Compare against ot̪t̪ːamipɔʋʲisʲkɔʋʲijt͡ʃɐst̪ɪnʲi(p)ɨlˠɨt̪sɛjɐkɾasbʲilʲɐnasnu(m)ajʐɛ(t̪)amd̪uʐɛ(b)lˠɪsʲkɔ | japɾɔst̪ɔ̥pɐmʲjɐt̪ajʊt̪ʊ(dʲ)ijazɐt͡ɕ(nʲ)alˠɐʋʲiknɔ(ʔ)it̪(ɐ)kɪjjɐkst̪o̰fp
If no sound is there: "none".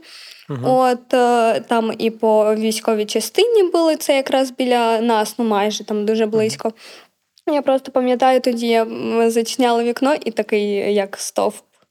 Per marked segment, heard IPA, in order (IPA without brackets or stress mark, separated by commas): b, m, t̪, b, dʲ, nʲ, ʔ, ɐ